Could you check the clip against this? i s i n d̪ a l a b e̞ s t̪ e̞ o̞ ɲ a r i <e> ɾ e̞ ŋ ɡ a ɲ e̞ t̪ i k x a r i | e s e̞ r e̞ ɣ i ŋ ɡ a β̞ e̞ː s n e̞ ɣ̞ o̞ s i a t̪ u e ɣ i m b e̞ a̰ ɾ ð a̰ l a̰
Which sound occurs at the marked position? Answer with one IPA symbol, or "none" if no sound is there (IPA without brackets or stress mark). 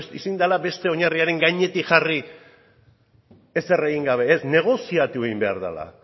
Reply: a